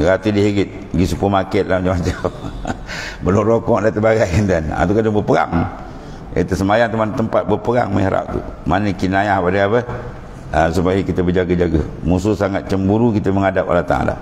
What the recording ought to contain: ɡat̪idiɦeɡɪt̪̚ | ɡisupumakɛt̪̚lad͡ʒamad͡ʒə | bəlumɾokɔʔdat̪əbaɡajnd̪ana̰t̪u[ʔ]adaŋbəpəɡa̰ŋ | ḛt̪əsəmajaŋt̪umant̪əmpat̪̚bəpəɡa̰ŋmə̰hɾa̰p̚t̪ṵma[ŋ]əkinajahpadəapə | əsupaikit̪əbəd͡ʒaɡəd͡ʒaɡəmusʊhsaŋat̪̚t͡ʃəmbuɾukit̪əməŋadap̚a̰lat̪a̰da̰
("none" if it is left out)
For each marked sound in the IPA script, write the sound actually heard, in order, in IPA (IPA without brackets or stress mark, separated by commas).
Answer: k, n